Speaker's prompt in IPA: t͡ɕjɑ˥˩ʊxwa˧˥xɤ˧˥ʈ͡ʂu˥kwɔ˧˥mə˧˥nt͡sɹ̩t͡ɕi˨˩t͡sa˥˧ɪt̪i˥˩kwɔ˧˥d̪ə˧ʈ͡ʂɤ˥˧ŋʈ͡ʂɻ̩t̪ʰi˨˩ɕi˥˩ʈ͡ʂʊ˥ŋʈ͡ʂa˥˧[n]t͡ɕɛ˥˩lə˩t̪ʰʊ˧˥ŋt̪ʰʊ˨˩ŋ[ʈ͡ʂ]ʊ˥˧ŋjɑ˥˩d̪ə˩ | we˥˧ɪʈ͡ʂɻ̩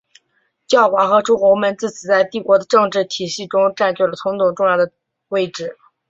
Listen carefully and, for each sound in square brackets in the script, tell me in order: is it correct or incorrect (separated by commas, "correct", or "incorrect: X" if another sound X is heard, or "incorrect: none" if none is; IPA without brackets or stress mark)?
correct, correct